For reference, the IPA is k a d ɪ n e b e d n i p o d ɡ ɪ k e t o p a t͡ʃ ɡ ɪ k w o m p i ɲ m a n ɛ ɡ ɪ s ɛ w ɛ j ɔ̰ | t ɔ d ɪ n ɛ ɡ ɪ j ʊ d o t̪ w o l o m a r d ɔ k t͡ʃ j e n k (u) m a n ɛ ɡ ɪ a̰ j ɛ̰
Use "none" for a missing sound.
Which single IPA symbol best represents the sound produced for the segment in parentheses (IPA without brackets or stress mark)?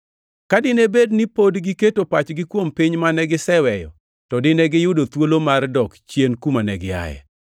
u